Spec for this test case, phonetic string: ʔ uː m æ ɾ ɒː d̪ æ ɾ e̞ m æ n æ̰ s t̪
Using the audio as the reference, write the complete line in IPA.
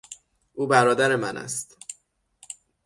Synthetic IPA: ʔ uː b æ ɾ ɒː d̪ æ ɾ e̞ m æ n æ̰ s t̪